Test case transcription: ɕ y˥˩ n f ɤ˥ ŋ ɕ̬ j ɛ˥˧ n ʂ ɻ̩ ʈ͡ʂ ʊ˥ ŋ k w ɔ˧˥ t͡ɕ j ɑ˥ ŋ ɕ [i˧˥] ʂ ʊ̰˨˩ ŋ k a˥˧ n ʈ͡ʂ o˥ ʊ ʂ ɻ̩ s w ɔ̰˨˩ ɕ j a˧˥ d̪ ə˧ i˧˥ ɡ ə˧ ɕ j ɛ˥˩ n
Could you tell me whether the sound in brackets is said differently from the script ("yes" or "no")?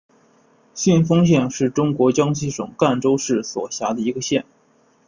yes